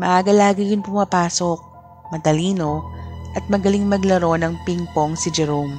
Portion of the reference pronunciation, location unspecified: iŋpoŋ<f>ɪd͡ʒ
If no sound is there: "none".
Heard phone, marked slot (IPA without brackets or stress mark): s